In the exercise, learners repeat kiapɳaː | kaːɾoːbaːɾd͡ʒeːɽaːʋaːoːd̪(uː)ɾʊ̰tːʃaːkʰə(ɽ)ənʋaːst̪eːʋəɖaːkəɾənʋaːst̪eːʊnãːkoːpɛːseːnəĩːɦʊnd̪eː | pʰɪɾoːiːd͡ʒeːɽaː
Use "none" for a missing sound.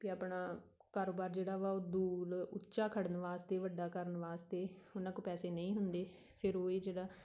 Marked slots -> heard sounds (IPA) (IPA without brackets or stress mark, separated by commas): uː, ɽ